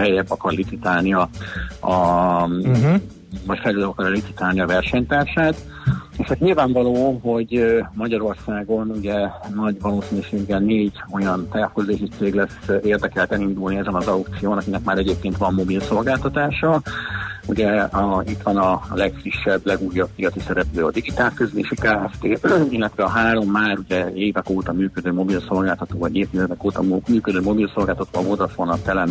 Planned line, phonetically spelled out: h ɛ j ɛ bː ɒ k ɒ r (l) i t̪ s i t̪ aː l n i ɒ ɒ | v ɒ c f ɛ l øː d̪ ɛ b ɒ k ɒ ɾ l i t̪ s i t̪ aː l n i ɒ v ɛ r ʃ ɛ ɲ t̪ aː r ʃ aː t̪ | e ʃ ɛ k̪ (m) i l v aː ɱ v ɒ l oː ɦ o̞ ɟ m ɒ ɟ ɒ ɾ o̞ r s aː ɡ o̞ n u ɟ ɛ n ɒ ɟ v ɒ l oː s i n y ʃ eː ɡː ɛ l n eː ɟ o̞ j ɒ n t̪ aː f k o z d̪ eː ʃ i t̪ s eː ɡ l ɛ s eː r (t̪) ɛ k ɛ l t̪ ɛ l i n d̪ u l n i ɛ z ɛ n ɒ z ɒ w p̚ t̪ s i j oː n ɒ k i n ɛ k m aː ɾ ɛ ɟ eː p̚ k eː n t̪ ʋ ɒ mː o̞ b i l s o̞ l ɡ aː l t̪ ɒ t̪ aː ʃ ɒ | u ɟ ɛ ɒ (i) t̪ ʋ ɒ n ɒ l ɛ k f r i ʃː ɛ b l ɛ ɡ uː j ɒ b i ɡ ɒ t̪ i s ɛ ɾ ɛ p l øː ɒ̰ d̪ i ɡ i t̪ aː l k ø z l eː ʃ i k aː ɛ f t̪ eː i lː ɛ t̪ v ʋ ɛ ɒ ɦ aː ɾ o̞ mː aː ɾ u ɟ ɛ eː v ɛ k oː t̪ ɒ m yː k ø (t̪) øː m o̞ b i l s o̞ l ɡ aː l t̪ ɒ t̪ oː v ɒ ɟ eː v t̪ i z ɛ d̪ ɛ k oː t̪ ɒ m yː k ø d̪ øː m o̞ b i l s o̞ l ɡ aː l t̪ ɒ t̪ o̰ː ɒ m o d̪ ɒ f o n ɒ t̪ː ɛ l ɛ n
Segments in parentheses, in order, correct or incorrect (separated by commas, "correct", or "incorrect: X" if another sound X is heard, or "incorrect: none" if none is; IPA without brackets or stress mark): correct, incorrect: ɲ, incorrect: d̪, correct, incorrect: d̪